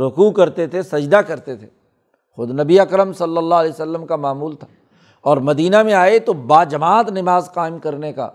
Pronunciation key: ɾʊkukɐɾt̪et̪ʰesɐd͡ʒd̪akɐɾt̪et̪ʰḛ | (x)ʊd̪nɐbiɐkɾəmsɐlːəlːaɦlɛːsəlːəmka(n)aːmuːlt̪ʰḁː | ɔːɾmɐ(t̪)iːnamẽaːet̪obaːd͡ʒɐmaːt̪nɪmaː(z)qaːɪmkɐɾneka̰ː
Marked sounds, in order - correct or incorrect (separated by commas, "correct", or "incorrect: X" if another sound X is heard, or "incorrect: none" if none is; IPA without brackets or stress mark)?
correct, incorrect: m, incorrect: d̪, correct